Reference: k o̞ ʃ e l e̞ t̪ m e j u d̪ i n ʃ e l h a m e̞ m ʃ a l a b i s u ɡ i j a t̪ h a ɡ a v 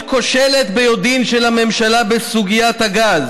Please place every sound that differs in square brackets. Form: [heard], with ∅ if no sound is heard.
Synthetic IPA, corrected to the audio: k o̞ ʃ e l e̞ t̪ [b] e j [o] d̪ i n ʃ e l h a m e̞ m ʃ a l a b [e] s u ɡ i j a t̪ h a ɡ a [z]